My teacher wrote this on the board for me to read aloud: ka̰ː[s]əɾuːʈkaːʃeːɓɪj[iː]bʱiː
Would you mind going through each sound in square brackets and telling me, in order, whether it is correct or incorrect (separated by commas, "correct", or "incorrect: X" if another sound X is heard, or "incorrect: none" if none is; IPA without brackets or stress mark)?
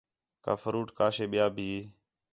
incorrect: f, incorrect: aː